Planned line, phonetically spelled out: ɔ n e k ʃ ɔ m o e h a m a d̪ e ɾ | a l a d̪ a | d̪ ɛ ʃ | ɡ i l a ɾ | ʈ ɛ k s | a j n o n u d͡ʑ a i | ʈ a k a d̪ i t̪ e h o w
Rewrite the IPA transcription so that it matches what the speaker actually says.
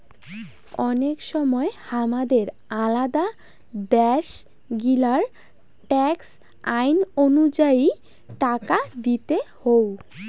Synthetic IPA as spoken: ɔ n e k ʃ ɔ m ɔ e h a m a d̪ e ɾ | a l a d̪ a | d̪ ɛ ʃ | ɡ i l a ɾ | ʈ ɛ k s | a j n o n u d͡ʑ a i | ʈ a k a d̪ i t̪ e h o w